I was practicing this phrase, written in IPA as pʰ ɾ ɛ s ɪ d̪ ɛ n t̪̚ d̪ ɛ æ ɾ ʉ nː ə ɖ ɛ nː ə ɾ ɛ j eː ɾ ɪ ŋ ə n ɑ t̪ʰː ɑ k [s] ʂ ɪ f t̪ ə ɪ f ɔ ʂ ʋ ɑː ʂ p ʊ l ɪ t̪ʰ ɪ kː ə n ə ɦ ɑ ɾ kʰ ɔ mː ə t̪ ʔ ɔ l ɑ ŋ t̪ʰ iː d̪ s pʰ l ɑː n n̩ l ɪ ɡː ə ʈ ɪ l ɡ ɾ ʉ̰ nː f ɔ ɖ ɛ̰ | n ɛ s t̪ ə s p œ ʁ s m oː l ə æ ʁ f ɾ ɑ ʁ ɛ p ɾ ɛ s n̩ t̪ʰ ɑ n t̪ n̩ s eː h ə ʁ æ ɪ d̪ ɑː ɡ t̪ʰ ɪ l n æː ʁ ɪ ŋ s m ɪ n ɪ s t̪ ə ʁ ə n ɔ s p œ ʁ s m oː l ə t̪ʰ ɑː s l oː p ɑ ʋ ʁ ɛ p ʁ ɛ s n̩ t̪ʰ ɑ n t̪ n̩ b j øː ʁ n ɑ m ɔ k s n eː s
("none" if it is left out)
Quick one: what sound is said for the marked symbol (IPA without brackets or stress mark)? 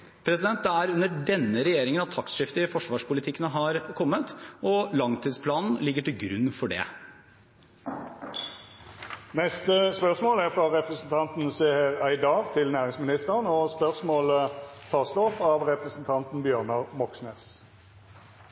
s